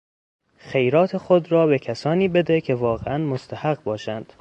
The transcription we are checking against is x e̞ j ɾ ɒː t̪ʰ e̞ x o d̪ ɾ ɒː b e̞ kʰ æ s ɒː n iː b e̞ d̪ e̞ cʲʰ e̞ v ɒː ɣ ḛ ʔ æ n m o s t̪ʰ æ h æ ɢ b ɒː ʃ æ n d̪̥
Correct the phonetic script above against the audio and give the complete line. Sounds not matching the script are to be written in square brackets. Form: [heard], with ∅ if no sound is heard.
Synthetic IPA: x e̞ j ɾ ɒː t̪ʰ e̞ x o d̪ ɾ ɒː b e̞ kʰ æ s ɒː n iː b e̞ d̪ e̞ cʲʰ e̞ v ɒː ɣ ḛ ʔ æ n m o s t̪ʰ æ h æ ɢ b ɒː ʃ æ n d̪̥